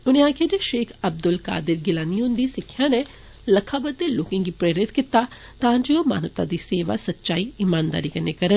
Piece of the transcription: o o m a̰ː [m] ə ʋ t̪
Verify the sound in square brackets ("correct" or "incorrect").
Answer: incorrect